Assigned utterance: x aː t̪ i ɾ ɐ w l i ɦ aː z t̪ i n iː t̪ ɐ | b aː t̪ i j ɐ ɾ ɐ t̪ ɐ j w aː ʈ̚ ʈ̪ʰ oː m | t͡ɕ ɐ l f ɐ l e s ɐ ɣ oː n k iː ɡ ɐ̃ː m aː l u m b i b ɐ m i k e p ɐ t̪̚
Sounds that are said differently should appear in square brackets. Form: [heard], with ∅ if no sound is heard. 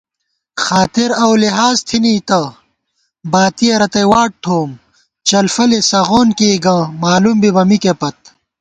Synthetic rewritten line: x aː t̪ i ɾ ɐ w l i ɦ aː z [t̪ʰ] i n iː t̪ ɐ | b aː t̪ i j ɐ ɾ ɐ t̪ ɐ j w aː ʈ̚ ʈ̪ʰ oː m | t͡ɕ ɐ l f ɐ l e s ɐ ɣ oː n k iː ɡ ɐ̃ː m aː l u m b i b ɐ m i k e p ɐ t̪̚